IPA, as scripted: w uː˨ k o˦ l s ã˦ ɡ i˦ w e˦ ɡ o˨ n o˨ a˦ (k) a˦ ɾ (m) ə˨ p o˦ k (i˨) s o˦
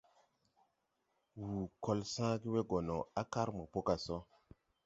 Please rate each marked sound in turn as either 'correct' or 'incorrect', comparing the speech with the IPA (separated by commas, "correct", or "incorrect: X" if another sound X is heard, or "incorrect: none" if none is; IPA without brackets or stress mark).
correct, correct, incorrect: a˨